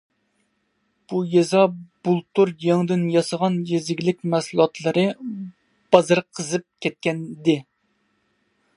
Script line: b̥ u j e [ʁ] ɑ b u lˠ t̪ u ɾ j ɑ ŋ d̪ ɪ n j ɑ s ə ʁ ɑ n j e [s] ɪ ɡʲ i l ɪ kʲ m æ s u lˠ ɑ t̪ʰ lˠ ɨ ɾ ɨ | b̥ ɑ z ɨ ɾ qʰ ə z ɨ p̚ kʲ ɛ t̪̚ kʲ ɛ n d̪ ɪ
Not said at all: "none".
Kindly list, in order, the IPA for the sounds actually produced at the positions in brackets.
z, z

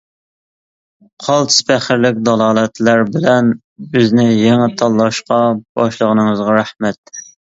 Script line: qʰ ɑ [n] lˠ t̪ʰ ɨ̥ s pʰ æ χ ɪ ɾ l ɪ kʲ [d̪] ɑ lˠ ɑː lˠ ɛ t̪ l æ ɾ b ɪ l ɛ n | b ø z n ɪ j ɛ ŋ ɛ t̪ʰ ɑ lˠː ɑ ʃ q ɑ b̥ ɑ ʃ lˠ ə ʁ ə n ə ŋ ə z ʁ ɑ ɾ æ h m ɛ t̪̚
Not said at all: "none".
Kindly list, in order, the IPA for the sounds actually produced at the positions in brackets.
none, d̪

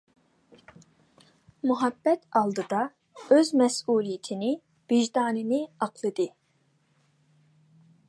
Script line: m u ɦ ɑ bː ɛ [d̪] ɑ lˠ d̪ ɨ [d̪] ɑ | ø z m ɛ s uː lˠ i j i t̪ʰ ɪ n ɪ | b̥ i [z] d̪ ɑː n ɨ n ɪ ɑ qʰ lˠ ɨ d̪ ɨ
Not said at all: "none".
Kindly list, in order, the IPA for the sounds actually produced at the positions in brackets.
t̪, d̪, ʒ

